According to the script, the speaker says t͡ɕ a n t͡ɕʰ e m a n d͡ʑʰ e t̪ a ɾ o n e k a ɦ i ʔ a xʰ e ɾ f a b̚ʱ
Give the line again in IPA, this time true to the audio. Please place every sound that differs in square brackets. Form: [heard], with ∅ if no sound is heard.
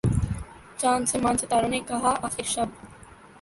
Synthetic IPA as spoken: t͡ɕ a n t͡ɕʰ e m a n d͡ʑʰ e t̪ a ɾ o n e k a ɦ [a] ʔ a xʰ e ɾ [ʃ] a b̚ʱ